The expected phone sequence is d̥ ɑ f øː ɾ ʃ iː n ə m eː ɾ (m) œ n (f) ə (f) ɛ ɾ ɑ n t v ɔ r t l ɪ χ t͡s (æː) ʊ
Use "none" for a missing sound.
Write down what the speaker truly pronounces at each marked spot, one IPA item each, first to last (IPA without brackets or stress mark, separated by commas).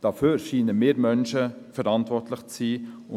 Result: m, ʃ, f, iː